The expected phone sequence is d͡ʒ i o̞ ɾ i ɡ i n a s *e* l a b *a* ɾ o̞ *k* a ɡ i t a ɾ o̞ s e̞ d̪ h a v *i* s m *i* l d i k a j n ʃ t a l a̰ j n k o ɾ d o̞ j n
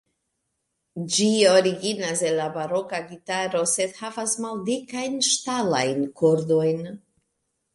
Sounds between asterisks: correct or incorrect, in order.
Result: correct, correct, correct, incorrect: a, incorrect: a

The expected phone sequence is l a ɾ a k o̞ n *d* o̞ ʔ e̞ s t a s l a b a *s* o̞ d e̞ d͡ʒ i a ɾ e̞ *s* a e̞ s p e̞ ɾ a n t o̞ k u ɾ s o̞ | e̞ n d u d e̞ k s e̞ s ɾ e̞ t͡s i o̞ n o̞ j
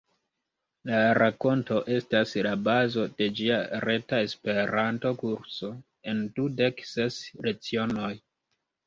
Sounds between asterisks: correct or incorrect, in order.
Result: incorrect: t, incorrect: z, incorrect: t

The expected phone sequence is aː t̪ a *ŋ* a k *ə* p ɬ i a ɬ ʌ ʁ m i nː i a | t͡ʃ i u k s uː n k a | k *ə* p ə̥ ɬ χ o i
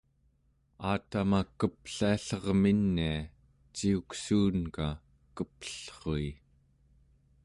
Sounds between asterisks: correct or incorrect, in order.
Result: incorrect: m, correct, correct

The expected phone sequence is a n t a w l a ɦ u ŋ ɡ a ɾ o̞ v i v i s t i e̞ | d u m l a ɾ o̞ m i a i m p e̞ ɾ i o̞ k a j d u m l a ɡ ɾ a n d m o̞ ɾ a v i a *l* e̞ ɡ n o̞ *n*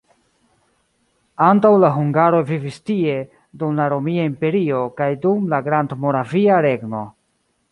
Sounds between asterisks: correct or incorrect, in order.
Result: incorrect: ɾ, incorrect: none

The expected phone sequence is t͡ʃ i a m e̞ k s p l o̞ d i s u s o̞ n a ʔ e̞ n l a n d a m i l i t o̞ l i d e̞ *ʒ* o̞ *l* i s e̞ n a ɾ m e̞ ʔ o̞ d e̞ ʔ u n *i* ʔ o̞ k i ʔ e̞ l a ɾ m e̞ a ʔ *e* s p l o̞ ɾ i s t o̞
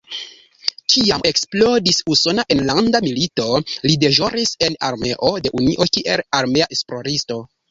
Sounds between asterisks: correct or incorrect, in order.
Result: correct, incorrect: ɾ, correct, correct

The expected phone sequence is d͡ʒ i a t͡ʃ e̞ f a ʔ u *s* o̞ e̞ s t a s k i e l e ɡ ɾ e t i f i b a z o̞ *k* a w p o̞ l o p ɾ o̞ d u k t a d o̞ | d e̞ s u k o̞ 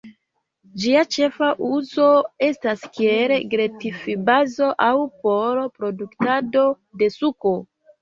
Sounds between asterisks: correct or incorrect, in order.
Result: incorrect: z, incorrect: ʔ

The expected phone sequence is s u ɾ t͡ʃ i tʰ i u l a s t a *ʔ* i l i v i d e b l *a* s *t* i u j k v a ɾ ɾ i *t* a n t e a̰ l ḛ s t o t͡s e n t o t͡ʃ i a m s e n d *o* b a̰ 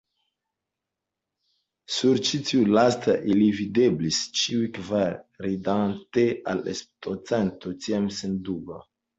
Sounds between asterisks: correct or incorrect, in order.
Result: correct, incorrect: i, incorrect: t͡ʃ, incorrect: d, incorrect: u

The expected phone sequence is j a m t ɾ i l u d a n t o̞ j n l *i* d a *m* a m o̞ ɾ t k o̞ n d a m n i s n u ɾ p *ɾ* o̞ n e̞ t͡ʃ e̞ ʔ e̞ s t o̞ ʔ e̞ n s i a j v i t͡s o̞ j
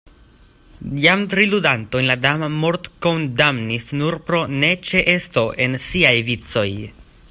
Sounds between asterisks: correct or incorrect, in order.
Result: incorrect: a, correct, correct

